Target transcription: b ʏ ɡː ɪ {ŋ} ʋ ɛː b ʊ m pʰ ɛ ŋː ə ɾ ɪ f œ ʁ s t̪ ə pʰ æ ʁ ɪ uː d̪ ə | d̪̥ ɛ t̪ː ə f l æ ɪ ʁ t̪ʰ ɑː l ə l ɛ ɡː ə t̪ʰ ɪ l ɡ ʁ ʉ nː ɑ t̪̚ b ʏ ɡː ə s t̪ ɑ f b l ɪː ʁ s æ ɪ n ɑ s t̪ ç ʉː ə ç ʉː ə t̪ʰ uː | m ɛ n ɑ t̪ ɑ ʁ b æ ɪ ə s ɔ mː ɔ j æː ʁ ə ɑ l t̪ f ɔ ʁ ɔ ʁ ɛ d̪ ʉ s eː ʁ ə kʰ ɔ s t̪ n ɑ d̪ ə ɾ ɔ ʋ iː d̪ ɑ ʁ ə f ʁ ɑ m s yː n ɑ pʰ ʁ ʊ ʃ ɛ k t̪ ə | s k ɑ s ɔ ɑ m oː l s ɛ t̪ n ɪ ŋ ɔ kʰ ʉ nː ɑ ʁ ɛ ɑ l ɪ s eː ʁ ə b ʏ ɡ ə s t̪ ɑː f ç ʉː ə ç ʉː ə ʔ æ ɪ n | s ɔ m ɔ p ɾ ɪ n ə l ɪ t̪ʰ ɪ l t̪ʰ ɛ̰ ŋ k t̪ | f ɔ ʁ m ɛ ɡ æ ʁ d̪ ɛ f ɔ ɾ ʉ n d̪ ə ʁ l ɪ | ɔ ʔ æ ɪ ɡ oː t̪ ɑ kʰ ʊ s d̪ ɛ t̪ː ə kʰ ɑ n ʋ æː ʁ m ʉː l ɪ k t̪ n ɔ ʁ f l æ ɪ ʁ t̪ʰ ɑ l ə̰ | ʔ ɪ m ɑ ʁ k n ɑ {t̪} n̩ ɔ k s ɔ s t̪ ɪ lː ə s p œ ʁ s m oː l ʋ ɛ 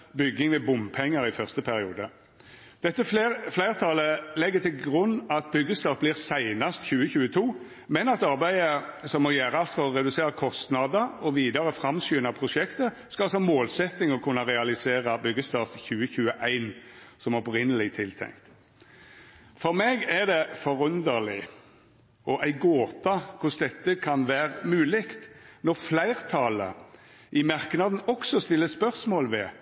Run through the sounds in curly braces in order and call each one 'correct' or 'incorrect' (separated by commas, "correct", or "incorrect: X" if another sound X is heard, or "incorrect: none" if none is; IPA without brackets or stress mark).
correct, incorrect: d̪